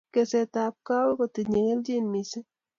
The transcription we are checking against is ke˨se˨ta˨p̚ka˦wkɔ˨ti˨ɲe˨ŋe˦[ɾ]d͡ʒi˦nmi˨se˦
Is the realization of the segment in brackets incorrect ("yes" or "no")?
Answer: yes